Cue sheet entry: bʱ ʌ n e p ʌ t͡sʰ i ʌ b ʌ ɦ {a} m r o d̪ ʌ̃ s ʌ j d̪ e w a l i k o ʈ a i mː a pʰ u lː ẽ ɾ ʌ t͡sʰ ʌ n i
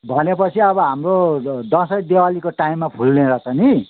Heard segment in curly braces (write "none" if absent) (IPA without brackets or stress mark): a